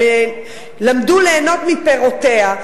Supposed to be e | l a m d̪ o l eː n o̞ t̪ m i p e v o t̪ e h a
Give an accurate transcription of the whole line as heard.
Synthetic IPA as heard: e | l a m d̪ u l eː n o̞ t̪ m i p e ʁ o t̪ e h a